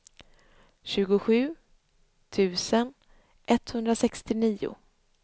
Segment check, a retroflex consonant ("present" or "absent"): absent